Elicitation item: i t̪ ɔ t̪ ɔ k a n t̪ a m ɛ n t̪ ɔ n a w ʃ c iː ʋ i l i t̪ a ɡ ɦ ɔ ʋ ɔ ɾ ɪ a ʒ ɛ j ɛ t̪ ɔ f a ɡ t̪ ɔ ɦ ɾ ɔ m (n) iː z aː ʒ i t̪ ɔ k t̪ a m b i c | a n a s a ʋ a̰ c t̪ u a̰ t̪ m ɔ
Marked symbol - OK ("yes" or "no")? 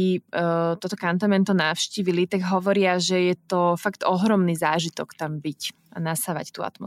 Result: yes